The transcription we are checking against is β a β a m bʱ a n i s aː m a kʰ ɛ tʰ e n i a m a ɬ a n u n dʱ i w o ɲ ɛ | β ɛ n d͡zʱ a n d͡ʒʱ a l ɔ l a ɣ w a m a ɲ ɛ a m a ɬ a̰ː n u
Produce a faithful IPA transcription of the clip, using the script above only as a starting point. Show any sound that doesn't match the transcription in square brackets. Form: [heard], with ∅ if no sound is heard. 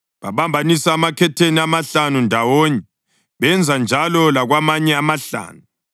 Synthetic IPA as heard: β a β a m bʱ a n i s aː m a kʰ ɛ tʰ e n i a m a ɬ a n u n dʱ [a] w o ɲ ɛ | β ɛ n d͡zʱ a n d͡ʒʱ a l ɔ l a ɣ w a m a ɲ ɛ a m a ɬ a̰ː n u